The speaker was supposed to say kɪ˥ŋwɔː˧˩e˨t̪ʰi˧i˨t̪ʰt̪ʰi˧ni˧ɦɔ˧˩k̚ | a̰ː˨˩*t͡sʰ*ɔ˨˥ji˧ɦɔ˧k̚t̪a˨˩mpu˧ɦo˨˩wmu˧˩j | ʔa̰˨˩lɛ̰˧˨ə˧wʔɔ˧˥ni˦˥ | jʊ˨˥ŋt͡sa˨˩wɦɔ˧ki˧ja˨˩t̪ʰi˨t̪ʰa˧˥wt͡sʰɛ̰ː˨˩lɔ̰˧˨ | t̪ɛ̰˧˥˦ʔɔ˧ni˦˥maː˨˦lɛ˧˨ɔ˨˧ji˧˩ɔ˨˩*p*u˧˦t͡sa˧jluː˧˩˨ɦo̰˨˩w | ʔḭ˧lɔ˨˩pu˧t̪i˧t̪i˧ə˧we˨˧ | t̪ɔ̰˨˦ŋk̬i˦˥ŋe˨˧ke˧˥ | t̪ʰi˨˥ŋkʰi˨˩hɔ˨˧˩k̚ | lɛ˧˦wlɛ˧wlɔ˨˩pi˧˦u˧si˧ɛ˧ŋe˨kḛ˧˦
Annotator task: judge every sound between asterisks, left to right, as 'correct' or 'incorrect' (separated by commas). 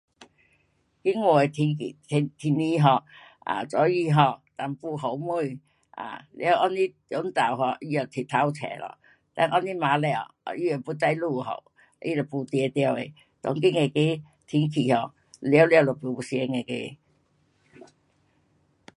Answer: incorrect, correct